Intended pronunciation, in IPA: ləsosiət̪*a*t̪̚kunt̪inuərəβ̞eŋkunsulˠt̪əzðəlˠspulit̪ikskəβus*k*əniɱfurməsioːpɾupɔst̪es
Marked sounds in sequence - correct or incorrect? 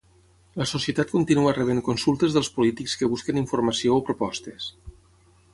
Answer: correct, correct

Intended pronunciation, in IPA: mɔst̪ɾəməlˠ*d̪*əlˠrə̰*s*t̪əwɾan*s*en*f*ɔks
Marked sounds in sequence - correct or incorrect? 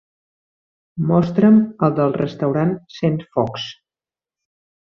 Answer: correct, correct, correct, correct

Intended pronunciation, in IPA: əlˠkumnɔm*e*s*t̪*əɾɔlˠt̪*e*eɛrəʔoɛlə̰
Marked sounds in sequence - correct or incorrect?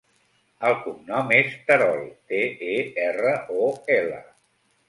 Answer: correct, correct, correct

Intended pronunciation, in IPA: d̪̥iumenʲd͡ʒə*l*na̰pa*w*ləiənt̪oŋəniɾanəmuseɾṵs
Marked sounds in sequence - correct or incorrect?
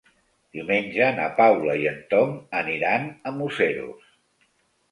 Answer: incorrect: none, correct

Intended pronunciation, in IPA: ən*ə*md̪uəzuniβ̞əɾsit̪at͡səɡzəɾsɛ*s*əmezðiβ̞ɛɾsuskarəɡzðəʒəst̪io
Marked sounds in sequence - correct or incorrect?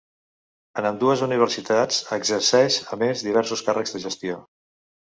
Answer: correct, incorrect: ʃ

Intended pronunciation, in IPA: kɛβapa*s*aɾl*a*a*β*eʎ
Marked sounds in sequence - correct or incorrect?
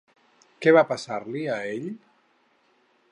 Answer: correct, incorrect: i, incorrect: none

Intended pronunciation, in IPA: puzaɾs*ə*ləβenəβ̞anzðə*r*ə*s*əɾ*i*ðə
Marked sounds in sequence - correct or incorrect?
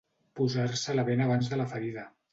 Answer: correct, incorrect: l, incorrect: f, correct

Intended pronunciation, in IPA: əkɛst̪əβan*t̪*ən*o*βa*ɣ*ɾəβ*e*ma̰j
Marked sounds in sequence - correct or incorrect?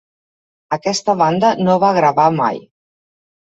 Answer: incorrect: d̪, correct, correct, incorrect: a

